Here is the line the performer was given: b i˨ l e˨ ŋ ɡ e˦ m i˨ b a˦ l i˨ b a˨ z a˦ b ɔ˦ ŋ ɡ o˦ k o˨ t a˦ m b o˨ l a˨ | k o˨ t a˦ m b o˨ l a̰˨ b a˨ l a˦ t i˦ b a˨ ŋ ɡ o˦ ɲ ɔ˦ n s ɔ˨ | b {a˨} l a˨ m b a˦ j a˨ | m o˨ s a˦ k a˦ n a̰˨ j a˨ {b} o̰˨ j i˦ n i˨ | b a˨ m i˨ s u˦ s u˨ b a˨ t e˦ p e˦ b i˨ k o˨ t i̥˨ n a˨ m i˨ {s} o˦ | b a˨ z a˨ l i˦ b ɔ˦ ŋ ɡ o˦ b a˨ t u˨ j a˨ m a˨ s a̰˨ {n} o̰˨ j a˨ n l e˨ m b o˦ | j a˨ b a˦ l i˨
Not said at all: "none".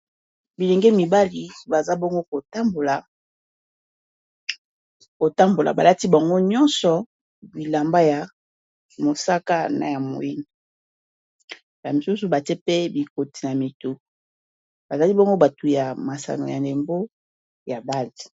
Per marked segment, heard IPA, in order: i˨, m, t, n

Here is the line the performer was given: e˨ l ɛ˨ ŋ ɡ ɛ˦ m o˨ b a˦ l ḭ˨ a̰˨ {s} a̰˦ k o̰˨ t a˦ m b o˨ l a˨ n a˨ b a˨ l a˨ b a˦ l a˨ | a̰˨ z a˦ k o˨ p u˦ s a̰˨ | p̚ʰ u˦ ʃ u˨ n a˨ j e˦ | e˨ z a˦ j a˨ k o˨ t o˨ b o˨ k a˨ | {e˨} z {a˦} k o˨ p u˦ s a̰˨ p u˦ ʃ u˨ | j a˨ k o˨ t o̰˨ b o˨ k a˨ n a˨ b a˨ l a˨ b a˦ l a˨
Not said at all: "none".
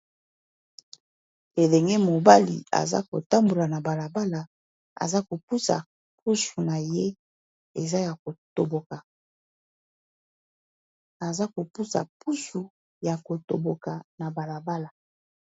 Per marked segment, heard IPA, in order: z, a˨, a˦

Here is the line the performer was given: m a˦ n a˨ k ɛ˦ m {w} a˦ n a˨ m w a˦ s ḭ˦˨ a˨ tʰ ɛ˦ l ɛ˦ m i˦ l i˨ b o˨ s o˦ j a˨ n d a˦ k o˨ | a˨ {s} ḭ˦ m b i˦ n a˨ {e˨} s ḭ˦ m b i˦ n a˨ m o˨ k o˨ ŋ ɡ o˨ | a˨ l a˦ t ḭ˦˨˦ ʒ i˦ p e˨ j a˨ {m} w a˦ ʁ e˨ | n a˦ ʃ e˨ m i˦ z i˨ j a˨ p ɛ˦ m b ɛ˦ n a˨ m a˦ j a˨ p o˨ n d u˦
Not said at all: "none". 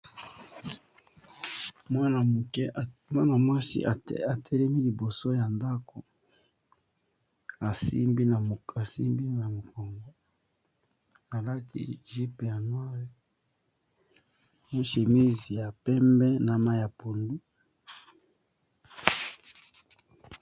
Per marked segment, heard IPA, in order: w, s, a˨, n

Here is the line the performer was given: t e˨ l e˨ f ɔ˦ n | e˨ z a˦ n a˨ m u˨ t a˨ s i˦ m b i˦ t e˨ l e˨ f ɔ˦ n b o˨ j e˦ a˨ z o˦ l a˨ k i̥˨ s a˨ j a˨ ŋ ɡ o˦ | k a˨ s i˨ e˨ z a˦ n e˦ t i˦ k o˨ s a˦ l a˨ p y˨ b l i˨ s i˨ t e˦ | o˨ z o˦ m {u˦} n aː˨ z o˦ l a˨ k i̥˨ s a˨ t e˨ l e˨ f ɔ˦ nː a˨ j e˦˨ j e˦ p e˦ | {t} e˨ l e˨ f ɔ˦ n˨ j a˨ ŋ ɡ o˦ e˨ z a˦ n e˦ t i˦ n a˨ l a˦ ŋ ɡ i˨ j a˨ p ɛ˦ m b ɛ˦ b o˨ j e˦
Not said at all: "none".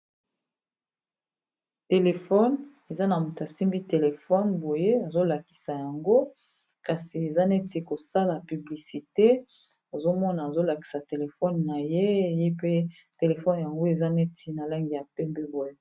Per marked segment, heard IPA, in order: ɔ˦, t

